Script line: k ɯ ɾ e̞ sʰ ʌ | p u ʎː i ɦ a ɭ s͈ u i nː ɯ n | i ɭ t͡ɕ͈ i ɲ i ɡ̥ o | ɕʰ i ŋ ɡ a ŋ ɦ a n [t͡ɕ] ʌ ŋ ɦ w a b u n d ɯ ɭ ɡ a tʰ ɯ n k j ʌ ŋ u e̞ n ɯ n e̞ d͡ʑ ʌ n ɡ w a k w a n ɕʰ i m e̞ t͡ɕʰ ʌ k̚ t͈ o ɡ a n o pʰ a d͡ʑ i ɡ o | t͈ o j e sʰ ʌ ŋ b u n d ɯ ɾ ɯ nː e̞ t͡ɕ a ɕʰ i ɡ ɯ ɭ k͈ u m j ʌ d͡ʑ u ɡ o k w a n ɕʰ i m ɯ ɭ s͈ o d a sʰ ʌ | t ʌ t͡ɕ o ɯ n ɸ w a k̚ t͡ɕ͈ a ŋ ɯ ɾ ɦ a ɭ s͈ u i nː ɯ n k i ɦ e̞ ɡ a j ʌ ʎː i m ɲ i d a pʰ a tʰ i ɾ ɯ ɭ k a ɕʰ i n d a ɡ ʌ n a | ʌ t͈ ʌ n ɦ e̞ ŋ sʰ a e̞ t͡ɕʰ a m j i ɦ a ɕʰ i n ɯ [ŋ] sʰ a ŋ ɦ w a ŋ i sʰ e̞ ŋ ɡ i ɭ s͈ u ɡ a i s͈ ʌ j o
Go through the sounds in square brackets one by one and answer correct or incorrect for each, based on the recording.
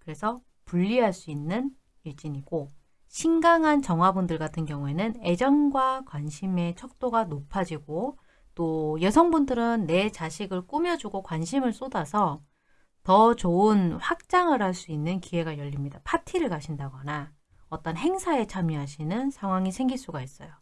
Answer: correct, incorrect: n

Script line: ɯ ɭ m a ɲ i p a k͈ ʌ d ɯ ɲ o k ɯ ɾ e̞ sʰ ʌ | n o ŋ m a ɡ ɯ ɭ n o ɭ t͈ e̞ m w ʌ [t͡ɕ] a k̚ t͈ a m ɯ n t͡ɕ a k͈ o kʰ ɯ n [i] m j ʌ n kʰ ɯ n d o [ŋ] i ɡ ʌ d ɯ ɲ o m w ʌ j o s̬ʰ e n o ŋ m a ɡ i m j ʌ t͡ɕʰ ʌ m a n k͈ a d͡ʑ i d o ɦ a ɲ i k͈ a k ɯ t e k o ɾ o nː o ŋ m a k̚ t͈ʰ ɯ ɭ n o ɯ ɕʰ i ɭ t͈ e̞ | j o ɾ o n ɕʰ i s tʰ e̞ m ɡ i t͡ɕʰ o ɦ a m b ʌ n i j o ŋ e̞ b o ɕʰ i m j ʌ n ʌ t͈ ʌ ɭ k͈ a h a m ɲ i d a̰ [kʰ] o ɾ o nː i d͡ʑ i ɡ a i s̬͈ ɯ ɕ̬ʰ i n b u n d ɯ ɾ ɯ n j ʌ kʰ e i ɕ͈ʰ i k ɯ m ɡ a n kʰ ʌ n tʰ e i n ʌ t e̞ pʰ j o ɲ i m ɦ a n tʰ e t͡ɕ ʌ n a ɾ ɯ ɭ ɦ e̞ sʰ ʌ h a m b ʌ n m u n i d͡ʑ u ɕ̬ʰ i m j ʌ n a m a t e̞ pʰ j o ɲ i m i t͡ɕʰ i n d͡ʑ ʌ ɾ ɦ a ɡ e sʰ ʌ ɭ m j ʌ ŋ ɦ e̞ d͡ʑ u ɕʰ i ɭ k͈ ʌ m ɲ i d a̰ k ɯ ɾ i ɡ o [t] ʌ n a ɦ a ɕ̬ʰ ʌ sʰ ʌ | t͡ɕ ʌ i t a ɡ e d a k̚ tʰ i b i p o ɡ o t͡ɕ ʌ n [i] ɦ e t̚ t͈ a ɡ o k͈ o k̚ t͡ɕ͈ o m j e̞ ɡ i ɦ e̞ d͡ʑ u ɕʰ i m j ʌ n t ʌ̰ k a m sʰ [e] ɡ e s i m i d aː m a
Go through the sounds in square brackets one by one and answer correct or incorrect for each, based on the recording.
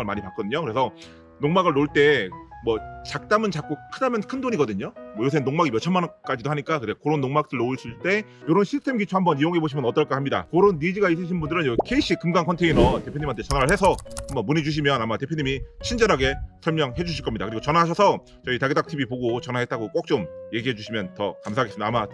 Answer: correct, incorrect: a, incorrect: ɲ, incorrect: k, incorrect: t͡ɕ, incorrect: a, incorrect: a

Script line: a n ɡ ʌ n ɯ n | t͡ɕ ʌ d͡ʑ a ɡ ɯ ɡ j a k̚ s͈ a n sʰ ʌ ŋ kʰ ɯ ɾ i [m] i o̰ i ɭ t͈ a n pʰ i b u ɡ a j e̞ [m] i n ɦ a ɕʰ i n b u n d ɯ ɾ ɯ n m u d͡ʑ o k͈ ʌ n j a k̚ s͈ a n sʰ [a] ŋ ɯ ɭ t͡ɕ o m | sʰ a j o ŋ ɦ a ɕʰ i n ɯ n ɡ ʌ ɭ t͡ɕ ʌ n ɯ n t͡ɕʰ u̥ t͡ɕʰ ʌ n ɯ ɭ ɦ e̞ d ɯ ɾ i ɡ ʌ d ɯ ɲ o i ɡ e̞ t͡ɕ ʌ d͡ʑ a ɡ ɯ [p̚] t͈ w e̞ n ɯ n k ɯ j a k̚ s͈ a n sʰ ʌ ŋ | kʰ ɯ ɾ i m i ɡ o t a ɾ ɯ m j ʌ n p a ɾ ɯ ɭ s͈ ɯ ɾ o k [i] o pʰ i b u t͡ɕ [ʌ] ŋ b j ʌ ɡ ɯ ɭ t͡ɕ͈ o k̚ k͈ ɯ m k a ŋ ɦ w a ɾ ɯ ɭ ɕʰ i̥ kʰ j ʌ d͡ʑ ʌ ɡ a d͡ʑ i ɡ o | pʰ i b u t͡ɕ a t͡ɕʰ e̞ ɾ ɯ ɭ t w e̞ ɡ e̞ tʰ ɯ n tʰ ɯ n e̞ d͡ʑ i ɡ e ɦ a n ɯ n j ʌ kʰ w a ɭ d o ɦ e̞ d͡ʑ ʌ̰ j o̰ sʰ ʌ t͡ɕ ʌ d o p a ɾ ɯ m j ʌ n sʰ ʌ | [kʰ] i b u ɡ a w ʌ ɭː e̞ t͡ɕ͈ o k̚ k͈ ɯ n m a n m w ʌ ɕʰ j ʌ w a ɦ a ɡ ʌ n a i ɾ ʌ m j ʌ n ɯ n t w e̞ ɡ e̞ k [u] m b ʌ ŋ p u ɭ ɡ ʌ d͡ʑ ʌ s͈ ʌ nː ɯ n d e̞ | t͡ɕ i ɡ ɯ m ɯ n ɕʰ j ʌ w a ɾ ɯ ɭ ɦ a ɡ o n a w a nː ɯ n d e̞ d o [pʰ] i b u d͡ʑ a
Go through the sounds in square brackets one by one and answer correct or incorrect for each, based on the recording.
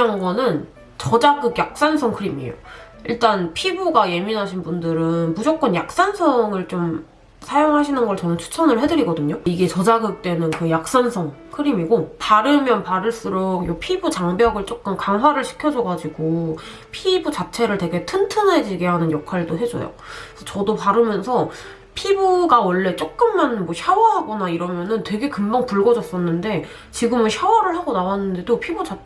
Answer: correct, correct, incorrect: ʌ, incorrect: k̚, incorrect: j, incorrect: a, incorrect: pʰ, incorrect: ɯ, correct

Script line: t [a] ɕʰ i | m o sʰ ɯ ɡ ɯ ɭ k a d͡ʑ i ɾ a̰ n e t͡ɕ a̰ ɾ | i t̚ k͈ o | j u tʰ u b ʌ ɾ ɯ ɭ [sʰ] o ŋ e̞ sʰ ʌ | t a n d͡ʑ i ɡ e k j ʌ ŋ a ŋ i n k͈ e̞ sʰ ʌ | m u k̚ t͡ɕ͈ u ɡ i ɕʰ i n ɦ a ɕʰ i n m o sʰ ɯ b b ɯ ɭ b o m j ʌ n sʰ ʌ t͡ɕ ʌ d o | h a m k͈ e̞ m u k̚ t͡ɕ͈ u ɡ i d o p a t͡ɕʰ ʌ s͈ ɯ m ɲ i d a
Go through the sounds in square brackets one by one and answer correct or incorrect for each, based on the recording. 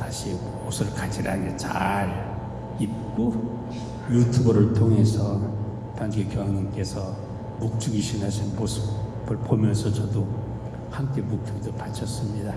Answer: correct, incorrect: tʰ

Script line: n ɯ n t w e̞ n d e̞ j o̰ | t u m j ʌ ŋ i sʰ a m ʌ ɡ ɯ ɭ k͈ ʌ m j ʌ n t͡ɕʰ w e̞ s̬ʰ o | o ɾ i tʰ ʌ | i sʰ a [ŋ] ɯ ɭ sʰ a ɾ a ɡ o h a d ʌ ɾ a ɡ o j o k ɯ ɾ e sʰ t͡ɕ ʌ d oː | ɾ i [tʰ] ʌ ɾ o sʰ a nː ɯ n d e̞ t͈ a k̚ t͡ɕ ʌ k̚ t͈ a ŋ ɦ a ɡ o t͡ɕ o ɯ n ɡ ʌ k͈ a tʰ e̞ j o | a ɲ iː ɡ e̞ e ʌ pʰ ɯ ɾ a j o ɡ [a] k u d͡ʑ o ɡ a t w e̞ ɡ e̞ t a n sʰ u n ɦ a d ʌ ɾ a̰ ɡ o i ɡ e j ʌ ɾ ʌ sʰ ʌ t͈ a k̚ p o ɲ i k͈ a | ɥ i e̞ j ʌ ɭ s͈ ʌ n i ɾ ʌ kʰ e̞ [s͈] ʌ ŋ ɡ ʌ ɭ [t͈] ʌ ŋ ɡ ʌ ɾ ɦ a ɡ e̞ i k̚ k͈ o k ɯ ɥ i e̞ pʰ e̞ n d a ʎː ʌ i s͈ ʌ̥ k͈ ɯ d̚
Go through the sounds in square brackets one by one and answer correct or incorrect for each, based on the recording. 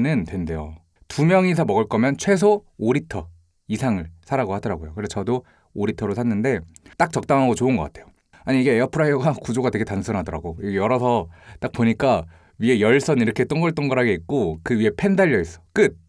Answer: correct, correct, correct, incorrect: t͈, correct

